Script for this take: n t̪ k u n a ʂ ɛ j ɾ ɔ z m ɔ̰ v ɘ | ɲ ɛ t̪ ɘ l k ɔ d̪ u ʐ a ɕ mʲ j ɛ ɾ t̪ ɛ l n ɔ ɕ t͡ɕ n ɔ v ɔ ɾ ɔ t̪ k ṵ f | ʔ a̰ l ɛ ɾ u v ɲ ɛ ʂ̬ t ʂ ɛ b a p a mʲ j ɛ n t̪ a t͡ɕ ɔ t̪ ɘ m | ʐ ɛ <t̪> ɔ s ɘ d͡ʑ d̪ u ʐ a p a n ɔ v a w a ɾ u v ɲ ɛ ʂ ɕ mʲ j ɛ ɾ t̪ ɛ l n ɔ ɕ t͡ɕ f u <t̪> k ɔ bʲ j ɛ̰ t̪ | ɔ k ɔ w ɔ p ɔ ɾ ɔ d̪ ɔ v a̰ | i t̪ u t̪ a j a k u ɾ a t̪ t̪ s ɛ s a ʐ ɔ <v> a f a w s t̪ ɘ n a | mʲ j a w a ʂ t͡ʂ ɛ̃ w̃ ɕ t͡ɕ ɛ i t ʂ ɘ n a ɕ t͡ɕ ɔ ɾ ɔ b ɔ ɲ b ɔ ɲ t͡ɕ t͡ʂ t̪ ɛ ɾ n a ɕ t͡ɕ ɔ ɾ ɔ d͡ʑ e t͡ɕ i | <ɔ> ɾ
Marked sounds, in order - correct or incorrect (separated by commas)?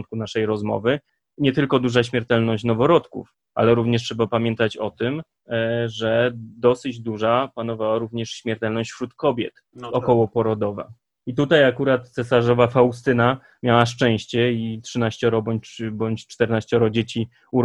incorrect, correct, correct, incorrect